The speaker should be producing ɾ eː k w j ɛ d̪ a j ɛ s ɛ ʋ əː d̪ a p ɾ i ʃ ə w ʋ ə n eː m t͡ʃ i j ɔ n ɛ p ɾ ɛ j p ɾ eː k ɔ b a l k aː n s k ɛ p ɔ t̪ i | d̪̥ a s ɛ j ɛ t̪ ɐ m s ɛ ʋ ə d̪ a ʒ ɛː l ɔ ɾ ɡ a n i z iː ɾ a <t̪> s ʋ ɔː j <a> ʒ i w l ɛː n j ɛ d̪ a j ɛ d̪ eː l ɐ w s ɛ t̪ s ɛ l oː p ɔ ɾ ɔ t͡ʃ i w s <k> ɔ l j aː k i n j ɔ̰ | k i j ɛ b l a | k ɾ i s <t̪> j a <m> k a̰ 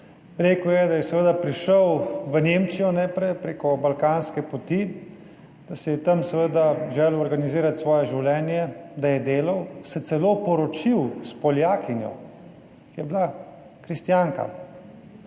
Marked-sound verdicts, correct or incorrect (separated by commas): correct, incorrect, incorrect, correct, incorrect